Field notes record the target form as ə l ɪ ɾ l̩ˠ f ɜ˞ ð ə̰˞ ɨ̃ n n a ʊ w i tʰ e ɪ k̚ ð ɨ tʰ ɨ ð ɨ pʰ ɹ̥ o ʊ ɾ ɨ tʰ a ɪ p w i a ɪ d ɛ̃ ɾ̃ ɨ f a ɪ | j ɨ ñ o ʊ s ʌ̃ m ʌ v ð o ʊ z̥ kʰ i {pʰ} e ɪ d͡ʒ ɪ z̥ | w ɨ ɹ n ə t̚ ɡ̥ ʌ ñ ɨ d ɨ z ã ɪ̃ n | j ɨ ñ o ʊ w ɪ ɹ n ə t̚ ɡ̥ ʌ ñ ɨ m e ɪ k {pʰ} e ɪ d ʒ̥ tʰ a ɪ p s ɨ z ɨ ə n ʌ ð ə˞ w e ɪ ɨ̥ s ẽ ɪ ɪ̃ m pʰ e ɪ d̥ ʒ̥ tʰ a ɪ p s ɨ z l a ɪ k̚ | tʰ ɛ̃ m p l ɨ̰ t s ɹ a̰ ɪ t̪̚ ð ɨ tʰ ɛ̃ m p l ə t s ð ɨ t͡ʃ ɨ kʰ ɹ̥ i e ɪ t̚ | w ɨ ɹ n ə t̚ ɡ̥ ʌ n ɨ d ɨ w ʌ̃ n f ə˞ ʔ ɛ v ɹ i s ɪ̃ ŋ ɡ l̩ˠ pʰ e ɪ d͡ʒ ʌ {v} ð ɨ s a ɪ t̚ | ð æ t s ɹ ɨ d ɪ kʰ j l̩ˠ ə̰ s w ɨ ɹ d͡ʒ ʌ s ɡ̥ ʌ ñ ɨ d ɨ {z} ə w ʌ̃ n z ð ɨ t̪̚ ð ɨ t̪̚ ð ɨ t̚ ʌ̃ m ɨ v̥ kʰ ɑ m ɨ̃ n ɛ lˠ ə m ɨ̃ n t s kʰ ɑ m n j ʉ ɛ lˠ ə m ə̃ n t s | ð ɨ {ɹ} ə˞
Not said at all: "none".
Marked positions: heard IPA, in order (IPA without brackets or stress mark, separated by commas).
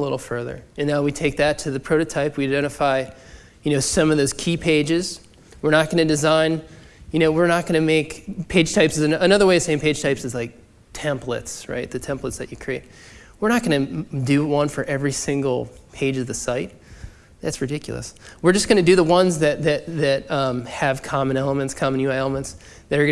pʰ, pʰ, v, ð, ɾ